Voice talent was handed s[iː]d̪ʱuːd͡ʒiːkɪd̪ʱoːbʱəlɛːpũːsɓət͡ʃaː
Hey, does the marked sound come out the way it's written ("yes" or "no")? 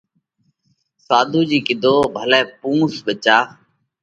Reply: no